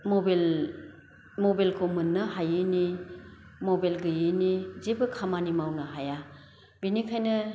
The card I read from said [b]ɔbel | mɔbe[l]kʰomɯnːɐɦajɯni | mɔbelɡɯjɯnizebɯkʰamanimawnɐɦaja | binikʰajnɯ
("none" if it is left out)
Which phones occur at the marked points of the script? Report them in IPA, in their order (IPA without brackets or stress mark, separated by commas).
m, l